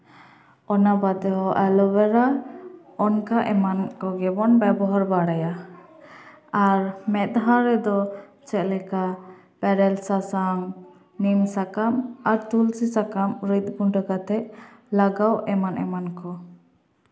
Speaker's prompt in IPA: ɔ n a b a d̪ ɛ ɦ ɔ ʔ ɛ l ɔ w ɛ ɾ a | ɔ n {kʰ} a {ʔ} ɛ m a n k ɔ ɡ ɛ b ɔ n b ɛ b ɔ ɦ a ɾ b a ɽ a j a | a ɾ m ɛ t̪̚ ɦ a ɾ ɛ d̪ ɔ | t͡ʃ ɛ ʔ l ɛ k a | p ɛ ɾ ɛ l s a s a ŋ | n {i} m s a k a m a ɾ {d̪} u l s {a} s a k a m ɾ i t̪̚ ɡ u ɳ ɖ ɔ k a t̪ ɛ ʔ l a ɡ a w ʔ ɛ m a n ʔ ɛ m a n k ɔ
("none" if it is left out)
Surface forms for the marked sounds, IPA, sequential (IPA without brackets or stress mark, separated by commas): k, ʔ, i, t̪, i